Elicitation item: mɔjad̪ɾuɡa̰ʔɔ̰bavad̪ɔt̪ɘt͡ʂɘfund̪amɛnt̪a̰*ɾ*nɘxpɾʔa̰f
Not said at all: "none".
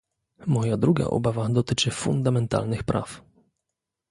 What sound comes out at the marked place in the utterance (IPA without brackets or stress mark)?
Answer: l